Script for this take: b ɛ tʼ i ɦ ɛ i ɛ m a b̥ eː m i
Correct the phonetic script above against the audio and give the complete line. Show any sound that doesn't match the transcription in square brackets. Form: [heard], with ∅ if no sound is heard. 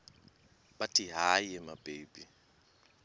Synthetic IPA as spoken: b [a] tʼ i ɦ [a] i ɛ m a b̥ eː [b] i

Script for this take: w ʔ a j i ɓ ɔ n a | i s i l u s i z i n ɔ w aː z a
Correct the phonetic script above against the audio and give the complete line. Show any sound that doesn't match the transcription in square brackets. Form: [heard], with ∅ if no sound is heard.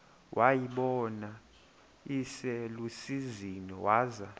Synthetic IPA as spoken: w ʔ a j i ɓ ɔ n a | i s [ɛ] l u s i z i n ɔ w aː z a

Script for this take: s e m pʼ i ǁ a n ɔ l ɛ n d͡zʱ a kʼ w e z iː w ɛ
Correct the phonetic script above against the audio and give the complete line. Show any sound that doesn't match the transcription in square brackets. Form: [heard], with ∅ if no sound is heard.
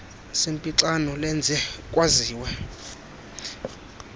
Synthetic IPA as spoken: s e m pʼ i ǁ a n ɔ l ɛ n d͡zʱ [ɛ] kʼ w [a] z iː w ɛ

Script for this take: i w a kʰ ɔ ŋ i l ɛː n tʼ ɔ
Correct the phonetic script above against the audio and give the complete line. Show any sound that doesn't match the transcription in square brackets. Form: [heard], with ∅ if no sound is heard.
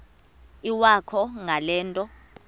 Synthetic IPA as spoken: i w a kʰ ɔ ŋ [a] l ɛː n tʼ ɔ

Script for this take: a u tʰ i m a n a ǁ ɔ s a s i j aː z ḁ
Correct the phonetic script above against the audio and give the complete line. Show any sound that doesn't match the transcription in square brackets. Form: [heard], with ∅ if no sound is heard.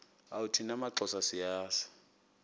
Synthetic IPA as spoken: a u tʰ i [n] a [m] a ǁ ɔ s a s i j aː [s] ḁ

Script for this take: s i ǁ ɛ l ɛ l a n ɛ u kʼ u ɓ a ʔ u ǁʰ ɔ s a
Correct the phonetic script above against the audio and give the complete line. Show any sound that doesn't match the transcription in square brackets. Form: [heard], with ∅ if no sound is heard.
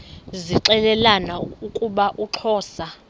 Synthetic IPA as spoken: [z] i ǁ ɛ l ɛ l a n [a] u kʼ u ɓ a ʔ u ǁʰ [ɔː] s a

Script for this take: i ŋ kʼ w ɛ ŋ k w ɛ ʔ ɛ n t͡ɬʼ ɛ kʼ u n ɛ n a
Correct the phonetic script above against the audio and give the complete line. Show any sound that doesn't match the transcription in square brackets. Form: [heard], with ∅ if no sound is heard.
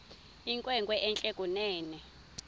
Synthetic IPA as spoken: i ŋ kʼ w ɛ ŋ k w ɛ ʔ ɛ n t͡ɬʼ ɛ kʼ u n [ɛː] n [ɛ]

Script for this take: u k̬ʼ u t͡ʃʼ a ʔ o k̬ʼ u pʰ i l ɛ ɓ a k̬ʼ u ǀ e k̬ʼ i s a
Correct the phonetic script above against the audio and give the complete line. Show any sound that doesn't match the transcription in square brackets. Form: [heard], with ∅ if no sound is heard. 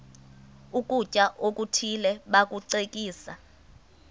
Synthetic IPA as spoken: u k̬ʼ u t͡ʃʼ a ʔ o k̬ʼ u [tʰ] i l ɛ ɓ a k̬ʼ u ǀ e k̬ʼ [iː] s a

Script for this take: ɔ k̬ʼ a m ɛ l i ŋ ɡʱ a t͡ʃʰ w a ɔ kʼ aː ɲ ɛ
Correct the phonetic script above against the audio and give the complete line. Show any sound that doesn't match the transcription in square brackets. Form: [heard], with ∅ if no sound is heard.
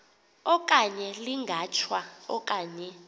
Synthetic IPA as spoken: ɔ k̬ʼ a [ɲ] ɛ l i ŋ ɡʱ a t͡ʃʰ w a ɔ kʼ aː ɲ ɛ

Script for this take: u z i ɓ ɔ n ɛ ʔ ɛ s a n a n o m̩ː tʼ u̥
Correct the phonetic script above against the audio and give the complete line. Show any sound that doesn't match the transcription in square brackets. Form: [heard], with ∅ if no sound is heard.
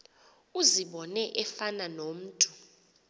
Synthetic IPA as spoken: u z i ɓ ɔ n ɛ ʔ ɛ [f] a n a n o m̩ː tʼ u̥

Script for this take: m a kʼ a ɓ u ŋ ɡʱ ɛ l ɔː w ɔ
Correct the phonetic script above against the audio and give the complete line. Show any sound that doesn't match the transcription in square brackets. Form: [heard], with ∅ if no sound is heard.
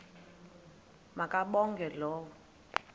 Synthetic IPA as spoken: m a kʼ a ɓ [ɔ] ŋ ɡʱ ɛ l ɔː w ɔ

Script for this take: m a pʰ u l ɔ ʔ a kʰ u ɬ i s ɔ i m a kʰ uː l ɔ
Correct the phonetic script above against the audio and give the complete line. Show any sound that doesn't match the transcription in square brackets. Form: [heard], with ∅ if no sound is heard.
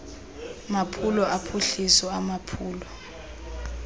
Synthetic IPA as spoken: m a pʰ u l ɔ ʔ a [pʰ] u ɬ i s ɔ [a] m a [pʰ] uː l ɔ

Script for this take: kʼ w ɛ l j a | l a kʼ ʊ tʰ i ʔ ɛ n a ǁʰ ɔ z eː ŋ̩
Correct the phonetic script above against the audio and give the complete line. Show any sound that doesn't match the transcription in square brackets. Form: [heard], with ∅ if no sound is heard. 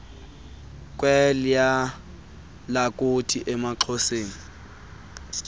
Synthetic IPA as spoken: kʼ w ɛ l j a | l a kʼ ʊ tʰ i ʔ ɛ [m] a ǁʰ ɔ [s] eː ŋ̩

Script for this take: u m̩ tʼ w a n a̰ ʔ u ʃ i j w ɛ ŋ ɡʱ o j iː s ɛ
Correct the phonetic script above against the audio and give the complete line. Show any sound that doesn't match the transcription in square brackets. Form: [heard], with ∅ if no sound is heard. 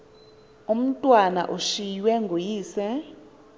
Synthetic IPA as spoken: u m̩ tʼ w a n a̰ ʔ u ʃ i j w ɛ ŋ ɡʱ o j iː s ɛ

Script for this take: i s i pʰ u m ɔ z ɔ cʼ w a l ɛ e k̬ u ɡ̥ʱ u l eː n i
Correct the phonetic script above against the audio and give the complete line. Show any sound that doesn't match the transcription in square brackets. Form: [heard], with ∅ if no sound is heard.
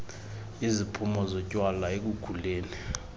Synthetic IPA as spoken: i [z] i pʰ u m ɔ z ɔ cʼ w a l [a] e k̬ u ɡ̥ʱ u l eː n i

